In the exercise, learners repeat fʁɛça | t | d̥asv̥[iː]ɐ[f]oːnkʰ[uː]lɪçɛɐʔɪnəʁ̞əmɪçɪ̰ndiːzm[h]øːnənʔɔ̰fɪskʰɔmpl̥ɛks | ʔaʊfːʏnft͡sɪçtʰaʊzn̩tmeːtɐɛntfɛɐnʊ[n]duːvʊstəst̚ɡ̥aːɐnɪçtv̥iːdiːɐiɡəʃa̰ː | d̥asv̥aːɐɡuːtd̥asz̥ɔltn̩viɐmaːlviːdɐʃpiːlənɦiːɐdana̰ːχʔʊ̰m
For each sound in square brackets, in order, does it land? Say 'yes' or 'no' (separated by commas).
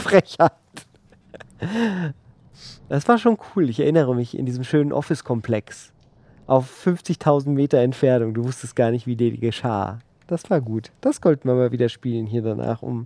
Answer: no, no, yes, no, no